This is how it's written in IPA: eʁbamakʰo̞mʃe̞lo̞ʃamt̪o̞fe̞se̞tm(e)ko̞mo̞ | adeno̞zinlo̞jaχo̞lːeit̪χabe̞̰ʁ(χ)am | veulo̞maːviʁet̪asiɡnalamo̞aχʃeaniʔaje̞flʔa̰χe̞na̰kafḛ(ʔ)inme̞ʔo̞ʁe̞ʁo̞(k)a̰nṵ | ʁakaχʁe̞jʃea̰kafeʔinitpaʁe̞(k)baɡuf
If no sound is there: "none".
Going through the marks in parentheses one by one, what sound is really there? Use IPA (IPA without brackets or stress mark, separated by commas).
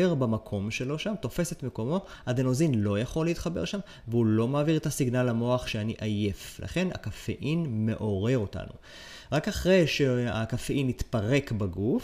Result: e, ʃ, ʔ, t, k